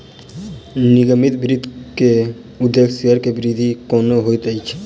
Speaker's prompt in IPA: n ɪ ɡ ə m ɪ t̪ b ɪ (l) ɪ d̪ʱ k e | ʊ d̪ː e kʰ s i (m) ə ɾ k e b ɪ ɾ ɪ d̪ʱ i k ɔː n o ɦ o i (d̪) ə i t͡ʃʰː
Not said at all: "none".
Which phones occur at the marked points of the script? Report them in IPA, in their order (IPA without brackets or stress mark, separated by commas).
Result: ɾ, none, t̪